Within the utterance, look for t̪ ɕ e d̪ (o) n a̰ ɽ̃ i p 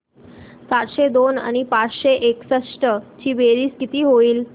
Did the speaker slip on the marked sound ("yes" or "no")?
no